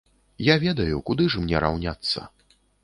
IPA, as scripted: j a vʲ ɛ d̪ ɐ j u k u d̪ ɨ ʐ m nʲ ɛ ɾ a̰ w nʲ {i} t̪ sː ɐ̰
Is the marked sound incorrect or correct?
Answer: incorrect